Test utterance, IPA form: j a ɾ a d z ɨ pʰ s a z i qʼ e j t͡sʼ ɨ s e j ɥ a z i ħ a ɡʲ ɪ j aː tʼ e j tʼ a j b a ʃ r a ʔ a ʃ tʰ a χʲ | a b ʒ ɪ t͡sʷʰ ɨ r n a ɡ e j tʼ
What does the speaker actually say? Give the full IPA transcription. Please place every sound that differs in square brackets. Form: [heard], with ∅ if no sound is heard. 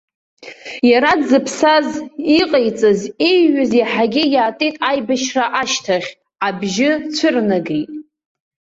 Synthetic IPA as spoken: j a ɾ a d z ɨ pʰ s a z i qʼ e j t͡sʼ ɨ [z] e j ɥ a z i ħ a ɡʲ ɪ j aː tʼ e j tʼ a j b a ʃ r a ʔ a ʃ tʰ a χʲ | a b ʒ ɪ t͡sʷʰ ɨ r n a ɡ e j tʼ